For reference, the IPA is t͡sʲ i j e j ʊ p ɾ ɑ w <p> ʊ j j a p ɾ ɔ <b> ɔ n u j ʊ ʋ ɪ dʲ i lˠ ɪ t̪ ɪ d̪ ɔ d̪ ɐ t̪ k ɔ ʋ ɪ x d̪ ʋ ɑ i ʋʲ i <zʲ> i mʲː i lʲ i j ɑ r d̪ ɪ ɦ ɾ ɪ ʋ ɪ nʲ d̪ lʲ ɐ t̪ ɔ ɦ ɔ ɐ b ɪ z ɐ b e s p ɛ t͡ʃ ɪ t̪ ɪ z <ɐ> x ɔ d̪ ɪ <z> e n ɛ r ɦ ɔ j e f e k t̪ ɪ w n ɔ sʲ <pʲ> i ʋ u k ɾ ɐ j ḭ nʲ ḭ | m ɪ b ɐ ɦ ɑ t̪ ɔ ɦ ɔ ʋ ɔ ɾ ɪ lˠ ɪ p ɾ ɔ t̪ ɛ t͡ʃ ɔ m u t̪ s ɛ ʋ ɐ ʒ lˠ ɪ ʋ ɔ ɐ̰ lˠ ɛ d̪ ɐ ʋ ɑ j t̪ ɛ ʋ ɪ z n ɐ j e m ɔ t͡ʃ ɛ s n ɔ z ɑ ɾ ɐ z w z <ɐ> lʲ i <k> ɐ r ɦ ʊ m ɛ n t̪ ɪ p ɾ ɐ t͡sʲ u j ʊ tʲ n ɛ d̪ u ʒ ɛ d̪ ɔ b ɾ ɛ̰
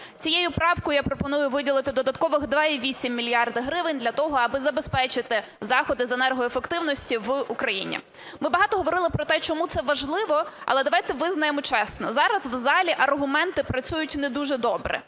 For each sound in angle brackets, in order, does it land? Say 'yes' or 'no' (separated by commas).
no, no, no, no, yes, no, no, no